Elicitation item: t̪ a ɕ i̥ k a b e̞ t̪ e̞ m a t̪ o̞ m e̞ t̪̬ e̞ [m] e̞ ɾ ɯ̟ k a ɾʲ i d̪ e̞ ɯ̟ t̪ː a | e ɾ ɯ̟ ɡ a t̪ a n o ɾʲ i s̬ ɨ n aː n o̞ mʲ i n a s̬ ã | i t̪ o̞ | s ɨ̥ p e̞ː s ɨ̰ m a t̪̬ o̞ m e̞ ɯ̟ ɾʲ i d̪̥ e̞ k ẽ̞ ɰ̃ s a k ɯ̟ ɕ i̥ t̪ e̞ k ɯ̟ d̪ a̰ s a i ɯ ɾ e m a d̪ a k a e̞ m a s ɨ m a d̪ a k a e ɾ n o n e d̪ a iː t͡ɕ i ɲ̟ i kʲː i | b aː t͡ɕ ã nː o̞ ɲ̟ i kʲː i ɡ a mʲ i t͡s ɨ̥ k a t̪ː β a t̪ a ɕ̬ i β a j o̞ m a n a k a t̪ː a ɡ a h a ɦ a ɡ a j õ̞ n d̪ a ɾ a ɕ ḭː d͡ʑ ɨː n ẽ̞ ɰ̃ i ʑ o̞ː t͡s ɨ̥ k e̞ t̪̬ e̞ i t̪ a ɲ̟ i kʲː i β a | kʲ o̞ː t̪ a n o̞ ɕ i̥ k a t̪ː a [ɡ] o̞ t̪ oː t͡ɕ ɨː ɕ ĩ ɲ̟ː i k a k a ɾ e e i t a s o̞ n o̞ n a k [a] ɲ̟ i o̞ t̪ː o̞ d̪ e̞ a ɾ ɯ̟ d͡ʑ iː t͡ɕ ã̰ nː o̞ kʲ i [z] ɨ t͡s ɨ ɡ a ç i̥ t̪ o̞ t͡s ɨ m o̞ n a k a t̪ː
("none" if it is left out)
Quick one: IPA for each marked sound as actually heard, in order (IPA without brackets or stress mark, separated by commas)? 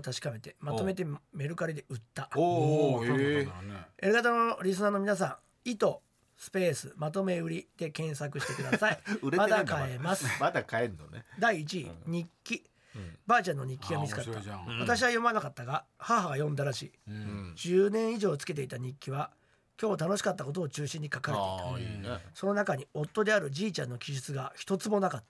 m, k, a, ʑ